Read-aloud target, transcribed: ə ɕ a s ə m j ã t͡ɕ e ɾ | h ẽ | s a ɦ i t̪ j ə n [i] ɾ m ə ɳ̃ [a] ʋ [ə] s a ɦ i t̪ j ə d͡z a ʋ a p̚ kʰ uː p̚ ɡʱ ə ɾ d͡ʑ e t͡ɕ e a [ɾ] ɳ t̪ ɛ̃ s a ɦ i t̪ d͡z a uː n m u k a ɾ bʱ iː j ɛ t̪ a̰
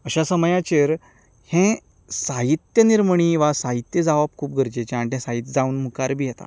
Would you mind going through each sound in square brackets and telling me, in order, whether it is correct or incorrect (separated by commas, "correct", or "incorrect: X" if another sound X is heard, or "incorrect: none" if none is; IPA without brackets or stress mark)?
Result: correct, incorrect: i, incorrect: a, incorrect: none